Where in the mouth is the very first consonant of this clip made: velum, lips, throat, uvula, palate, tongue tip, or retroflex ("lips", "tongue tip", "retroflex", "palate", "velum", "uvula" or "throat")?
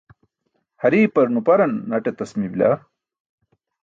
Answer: throat